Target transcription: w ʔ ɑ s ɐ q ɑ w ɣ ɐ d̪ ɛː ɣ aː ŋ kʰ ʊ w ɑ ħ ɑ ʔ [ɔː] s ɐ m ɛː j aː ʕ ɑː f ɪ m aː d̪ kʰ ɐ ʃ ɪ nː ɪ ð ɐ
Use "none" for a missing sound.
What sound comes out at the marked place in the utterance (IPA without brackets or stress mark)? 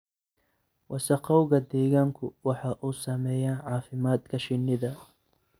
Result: uː